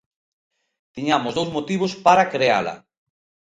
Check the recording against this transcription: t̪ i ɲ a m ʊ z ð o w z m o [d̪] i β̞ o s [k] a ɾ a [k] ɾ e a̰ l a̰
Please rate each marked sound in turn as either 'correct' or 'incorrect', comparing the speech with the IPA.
incorrect, incorrect, correct

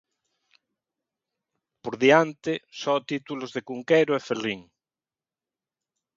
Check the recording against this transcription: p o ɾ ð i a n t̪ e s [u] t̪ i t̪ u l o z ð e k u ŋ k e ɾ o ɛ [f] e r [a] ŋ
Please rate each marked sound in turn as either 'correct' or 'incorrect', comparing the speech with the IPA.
incorrect, correct, incorrect

